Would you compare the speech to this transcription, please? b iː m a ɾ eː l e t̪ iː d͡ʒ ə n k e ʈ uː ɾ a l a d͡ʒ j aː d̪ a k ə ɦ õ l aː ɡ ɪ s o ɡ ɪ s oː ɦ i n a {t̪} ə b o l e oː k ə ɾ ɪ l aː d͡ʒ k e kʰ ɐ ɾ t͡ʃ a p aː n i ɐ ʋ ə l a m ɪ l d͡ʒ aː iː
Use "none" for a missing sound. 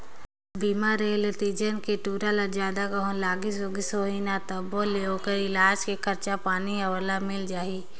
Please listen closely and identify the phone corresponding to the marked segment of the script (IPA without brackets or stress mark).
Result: t̪